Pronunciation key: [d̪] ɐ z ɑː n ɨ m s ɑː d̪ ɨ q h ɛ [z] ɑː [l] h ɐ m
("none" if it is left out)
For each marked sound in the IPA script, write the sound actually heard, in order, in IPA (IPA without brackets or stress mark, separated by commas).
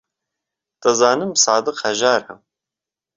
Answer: t̪, ʒ, ɾ